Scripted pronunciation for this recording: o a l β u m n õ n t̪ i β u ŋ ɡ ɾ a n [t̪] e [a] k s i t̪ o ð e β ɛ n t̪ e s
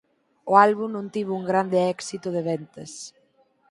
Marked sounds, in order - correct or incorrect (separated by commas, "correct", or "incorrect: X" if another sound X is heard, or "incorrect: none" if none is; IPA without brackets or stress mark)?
incorrect: d̪, incorrect: ɛ